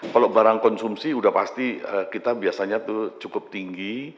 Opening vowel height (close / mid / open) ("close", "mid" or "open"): open